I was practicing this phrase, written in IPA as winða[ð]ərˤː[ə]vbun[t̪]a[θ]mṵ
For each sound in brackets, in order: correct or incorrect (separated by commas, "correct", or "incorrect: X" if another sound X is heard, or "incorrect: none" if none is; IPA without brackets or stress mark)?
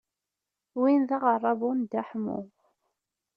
incorrect: ʁ, incorrect: ɑ, incorrect: d̪, incorrect: ħ